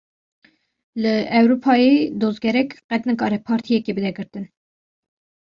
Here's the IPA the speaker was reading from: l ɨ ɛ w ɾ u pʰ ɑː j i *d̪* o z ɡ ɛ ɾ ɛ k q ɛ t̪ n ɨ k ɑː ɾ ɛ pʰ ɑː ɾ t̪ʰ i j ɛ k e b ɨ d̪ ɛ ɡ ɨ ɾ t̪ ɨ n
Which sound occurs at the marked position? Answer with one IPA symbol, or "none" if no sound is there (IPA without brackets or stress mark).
d̪